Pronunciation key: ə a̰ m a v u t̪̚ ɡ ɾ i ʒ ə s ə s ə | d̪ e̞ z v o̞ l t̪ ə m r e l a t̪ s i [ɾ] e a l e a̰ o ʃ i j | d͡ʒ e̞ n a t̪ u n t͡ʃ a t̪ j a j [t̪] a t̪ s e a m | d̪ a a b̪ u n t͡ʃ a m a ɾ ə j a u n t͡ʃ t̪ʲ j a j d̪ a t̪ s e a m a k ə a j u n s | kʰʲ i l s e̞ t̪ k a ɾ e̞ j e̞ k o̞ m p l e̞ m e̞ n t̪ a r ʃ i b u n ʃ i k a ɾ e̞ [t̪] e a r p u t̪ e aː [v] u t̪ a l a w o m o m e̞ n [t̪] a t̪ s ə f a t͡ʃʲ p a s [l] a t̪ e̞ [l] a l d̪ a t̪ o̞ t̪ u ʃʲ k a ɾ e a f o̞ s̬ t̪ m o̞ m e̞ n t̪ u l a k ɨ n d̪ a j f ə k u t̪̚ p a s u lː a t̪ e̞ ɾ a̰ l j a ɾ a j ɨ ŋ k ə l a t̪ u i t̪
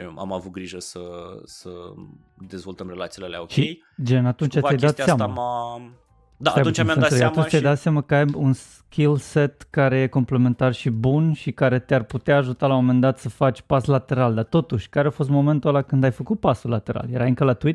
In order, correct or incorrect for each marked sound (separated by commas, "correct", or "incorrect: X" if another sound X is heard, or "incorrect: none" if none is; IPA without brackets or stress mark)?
incorrect: l, incorrect: d̪, correct, incorrect: ʒ, incorrect: d̪, correct, incorrect: ɾ